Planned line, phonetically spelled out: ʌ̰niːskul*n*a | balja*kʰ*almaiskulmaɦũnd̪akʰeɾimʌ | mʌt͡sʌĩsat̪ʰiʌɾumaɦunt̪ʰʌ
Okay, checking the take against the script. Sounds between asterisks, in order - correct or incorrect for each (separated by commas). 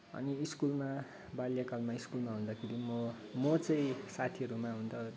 incorrect, incorrect